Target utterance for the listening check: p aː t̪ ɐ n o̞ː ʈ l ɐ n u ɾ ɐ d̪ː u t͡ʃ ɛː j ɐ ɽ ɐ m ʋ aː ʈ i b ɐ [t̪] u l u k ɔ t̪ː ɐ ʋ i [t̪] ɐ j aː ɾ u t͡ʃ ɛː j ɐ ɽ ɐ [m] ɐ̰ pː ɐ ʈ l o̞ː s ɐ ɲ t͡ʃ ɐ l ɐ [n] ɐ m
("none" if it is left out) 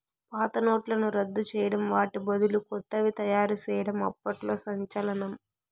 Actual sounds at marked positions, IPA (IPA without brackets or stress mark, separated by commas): d̪, t̪, m, n